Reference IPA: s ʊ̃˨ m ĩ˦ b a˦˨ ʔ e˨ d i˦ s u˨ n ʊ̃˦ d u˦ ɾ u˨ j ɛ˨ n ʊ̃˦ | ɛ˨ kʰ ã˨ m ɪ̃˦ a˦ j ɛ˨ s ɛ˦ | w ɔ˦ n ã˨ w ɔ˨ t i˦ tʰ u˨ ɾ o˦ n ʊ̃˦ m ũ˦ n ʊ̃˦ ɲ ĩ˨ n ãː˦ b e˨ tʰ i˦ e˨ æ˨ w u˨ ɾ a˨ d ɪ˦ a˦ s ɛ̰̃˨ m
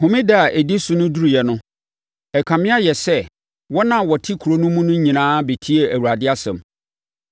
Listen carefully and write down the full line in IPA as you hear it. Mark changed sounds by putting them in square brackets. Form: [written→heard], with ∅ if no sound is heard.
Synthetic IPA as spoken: [s→h] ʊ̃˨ m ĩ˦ [b→d] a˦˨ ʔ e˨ d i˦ s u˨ n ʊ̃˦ d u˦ ɾ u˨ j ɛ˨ n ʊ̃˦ | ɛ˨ kʰ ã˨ m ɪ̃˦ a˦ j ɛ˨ s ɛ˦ | w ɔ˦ n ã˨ w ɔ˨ [t→tʰ] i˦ [tʰ→kʰ] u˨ ɾ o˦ n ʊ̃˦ m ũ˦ n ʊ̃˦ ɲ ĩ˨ n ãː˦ b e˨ tʰ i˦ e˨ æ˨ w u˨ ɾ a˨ d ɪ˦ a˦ s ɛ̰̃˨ m

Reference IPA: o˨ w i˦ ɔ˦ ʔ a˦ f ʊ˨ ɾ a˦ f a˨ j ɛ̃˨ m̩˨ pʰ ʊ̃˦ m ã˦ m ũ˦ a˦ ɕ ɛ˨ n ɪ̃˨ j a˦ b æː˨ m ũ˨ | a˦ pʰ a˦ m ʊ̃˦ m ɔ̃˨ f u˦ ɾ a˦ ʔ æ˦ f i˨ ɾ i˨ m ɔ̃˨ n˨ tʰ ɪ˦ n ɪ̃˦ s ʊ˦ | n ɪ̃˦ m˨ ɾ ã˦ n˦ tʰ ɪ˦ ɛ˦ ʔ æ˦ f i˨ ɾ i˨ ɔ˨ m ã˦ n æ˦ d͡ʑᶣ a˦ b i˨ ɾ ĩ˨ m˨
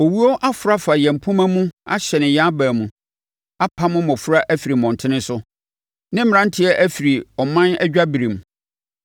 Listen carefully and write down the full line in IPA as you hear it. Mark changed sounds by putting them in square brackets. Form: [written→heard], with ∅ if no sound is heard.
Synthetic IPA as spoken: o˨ w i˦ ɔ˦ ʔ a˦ f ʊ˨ ɾ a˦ f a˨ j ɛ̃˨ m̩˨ pʰ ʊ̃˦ m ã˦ m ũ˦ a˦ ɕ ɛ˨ n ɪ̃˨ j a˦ b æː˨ m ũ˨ | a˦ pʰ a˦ m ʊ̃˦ m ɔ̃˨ f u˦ ɾ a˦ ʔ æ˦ f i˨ ɾ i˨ m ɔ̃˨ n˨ tʰ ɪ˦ n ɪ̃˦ s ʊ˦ | n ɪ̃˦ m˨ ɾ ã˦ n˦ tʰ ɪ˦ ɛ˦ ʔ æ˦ f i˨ ɾ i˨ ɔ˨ m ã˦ n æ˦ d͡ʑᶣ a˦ b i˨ ɾ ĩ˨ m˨

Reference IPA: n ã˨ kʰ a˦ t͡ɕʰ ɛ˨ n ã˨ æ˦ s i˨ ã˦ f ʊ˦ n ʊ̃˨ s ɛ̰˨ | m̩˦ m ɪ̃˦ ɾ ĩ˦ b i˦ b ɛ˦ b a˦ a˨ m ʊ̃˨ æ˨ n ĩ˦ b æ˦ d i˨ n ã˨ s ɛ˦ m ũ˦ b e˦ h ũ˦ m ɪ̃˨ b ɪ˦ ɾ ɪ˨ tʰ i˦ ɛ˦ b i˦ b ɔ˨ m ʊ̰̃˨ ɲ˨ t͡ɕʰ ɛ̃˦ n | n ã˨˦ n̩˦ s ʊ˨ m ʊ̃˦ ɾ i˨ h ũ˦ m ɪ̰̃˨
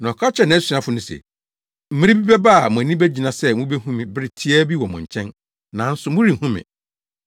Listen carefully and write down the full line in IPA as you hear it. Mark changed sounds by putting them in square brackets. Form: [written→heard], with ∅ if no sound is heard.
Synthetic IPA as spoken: n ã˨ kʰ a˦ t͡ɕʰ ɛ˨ n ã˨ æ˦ s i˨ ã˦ f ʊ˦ n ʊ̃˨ s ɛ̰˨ | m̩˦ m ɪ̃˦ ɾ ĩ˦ b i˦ b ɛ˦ b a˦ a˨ m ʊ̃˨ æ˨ n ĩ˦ b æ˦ [d→d͡ʑ] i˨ n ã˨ s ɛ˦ m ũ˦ b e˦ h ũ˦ m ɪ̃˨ b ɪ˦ ɾ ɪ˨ tʰ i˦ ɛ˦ b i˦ [b→w] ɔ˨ m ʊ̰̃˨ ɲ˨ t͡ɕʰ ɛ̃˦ n | n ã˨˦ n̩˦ s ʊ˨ m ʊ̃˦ ɾ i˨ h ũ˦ m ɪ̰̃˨

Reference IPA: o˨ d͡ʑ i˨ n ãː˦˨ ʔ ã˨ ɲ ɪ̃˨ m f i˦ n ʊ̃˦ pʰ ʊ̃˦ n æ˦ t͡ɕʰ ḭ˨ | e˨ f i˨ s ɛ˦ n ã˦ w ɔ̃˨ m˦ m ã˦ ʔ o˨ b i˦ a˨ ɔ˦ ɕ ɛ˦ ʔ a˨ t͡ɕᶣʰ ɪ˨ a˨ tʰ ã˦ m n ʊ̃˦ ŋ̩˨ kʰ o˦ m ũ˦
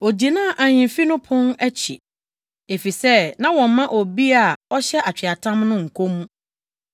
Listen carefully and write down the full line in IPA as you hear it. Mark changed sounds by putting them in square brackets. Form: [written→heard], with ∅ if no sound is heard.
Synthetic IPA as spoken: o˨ d͡ʑ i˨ n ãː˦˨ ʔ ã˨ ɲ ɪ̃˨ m f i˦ n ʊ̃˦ pʰ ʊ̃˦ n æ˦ t͡ɕʰ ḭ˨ | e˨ f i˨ s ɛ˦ n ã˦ w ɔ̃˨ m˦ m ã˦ ʔ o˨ b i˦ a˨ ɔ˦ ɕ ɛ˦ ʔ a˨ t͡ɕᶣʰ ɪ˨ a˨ tʰ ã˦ m n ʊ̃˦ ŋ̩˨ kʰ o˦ m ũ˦

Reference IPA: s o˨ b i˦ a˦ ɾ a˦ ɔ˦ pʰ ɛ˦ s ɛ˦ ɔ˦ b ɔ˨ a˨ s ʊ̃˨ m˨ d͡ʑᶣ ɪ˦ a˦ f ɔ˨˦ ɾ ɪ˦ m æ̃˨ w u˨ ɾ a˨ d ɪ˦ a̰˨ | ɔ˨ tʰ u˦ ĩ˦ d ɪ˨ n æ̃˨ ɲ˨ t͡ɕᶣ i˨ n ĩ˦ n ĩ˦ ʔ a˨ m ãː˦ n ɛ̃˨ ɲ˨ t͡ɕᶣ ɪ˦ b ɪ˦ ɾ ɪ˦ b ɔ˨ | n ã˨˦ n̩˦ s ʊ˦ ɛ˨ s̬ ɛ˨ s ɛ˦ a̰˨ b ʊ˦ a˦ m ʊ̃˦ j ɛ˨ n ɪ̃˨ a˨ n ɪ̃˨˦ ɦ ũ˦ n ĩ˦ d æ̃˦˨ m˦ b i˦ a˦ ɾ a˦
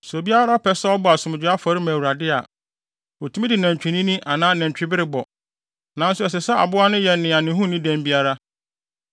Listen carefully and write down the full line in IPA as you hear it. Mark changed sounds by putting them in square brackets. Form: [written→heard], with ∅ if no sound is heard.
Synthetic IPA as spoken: s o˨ b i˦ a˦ ɾ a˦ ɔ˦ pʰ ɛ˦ s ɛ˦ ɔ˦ b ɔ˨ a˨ s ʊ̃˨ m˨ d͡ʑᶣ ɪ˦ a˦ f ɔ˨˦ ɾ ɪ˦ m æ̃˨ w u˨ ɾ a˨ d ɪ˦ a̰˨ | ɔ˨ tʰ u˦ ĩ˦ d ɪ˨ n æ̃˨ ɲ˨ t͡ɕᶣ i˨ n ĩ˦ n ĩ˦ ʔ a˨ [m→n] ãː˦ n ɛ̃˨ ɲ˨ t͡ɕᶣ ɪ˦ b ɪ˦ ɾ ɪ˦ b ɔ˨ | n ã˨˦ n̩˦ s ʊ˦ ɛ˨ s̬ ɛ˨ s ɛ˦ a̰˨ b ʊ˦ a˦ [m→n] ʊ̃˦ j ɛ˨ n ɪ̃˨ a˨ n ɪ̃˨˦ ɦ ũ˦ n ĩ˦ d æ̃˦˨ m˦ b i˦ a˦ ɾ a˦

